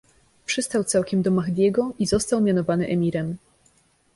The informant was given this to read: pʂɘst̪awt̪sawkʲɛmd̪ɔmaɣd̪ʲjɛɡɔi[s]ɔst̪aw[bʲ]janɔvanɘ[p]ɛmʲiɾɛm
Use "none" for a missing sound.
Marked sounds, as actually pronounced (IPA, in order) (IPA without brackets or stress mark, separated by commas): z, mʲ, ʔ